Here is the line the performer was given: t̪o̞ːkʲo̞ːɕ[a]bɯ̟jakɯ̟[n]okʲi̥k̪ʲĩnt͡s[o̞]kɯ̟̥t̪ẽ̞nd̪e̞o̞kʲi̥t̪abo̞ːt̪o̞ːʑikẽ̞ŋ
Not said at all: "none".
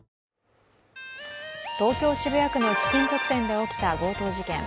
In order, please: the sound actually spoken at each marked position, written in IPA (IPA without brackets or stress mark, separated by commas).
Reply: i, n, o̞